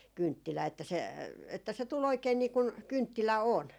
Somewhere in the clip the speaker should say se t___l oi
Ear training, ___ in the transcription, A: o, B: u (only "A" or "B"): B